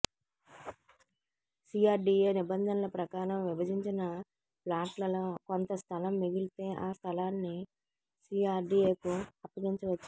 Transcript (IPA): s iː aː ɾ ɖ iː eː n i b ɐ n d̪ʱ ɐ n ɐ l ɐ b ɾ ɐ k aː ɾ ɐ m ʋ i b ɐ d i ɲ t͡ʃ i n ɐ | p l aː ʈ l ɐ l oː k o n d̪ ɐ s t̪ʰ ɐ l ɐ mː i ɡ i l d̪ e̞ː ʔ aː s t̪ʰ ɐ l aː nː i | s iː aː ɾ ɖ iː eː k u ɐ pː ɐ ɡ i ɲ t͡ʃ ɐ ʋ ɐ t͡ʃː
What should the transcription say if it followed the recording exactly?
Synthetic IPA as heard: s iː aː ɾ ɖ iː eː n i b ɐ n d̪ʱ ɐ n ɐ l ɐ p ɾ ɐ k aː ɾ ɐ m ʋ i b ɐ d i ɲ t͡ʃ i n ɐ | p l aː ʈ l ɐ l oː k o n t̪ ɐ s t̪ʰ ɐ l ɐ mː i ɡ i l t̪ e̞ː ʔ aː s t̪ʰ ɐ l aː nː i | s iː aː ɾ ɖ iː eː k u ɐ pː ɐ ɡ i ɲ t͡ʃ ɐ ʋ ɐ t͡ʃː